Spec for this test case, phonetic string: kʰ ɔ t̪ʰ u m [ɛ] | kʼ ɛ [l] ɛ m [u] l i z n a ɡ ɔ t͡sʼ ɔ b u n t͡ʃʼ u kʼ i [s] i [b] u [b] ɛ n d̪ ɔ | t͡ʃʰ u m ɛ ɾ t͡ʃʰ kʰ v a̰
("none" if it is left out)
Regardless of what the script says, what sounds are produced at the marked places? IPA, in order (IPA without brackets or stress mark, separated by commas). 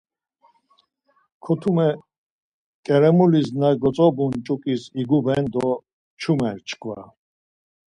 ɛ, ɾ, u, s, ɡ, b